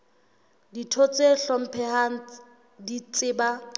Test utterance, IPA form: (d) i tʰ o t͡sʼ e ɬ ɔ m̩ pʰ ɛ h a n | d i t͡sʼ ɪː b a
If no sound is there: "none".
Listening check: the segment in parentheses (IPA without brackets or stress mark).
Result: d